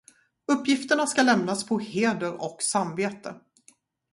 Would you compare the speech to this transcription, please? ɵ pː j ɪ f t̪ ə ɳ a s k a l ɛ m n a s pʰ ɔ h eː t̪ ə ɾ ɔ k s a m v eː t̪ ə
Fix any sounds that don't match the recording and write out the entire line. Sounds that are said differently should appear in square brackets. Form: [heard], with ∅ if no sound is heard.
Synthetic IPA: ɵ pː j ɪ f t̪ ə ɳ a s k a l ɛ m n a s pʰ ɔ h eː [d̪] ə ɾ ɔ k s a m v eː t̪ ə